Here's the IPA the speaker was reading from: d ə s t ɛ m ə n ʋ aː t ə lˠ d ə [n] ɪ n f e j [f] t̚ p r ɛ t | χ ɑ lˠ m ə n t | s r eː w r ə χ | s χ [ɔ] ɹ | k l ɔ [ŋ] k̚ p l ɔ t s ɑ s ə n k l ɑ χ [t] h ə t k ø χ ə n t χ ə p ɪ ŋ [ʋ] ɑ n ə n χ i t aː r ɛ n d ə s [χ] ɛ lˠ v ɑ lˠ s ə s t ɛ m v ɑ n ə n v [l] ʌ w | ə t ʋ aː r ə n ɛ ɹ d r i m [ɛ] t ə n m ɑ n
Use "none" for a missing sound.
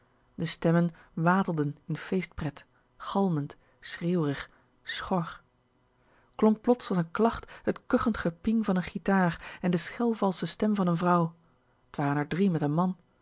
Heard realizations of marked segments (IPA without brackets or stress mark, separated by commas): n, s, ɔ, ŋ, t, v, χ, r, ɛ